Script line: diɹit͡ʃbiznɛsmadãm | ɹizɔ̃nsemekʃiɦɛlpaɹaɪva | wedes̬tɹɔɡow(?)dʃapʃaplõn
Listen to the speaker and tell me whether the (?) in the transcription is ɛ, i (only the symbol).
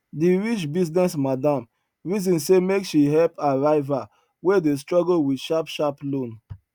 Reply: i